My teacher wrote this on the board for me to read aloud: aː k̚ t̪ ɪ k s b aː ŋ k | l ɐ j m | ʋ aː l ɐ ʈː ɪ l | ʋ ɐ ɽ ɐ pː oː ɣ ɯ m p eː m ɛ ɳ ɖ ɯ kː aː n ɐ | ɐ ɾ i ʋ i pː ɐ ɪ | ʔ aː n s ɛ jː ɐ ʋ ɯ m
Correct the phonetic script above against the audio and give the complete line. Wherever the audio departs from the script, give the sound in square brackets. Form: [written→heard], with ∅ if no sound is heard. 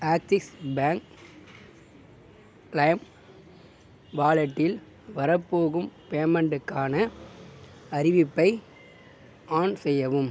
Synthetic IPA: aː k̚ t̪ ɪ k s b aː ŋ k | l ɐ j m | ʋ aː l ɐ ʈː ɪ l | ʋ ɐ [ɽ→ɾ] ɐ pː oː ɣ ɯ m p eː m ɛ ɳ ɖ ɯ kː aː n ɐ | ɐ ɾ [i→ɪ] ʋ [i→ɪ] pː ɐ ɪ | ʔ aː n s ɛ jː ɐ ʋ ɯ m